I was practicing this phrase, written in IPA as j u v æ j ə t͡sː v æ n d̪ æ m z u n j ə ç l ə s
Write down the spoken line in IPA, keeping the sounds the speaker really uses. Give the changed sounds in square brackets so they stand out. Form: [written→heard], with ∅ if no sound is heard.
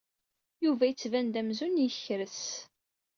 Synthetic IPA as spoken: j u v æ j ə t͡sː v æ n d̪ æ m z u n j ə ç [l→ɾ] ə s